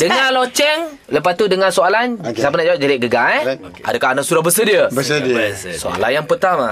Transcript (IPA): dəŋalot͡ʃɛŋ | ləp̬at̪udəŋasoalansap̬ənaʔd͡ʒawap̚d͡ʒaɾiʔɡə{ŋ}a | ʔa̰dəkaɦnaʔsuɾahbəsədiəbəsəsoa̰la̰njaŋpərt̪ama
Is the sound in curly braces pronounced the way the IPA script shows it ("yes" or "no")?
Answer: no